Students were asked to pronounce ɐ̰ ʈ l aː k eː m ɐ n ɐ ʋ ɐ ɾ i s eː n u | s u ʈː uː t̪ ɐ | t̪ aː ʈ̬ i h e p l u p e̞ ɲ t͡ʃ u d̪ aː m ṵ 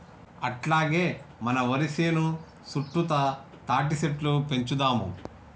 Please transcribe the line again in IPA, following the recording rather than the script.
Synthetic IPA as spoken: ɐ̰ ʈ l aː ɡ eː m ɐ n ɐ ʋ ɐ ɾ i s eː n u | s u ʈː u t̪ ɐ | t̪ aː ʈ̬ i s e p l u p e̞ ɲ t͡ʃ u d̪ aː m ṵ